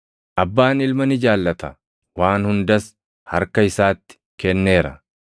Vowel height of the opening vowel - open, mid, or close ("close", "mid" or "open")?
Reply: open